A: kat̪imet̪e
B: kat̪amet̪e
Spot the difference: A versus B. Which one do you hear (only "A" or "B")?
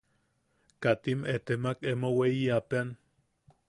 A